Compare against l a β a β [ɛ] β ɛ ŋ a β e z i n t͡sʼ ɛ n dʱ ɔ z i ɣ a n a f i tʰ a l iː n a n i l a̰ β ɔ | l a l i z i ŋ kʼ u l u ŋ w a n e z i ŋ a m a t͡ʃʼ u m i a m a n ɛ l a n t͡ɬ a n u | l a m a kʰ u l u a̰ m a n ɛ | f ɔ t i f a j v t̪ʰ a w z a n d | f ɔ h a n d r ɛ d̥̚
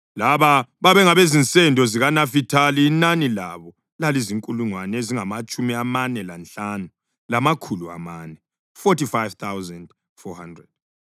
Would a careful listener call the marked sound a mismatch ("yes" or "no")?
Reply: yes